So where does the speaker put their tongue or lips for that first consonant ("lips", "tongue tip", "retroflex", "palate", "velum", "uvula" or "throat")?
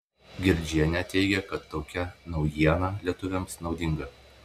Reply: velum